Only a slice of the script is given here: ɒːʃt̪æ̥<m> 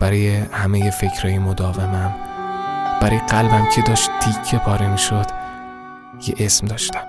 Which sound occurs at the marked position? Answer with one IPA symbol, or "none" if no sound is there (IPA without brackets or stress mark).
m